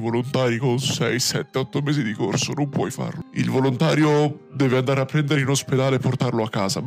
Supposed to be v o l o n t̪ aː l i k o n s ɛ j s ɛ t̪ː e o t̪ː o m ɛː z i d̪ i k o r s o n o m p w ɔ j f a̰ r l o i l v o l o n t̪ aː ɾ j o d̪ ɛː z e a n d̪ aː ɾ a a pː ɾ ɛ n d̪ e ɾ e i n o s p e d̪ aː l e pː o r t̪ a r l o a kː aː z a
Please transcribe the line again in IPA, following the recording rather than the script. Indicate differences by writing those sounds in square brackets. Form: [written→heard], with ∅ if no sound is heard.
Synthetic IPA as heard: v o l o n t̪ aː [l→ɾ] i k o n s ɛ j s ɛ t̪ː e [o→ɔ] t̪ː o m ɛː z i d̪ i k o r s o n o m p w ɔ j f a̰ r l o i l v o l o n t̪ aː ɾ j o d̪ ɛː [z→v] e a n d̪ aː ɾ [a→e] a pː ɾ ɛ n d̪ e ɾ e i n o s p e d̪ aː l e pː o r t̪ a r l o a kː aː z a